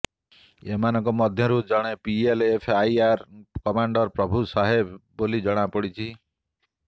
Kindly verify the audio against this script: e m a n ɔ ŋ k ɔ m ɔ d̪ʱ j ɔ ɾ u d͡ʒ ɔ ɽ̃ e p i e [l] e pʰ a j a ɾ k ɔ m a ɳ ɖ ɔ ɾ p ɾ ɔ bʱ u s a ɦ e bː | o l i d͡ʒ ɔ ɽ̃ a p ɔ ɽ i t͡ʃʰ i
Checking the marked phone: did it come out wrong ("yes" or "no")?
no